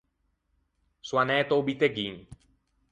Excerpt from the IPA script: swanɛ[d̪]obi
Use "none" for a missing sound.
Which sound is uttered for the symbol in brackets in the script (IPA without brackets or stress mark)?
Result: t̪